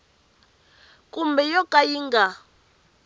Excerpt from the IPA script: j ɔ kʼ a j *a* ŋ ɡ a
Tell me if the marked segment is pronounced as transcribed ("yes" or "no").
no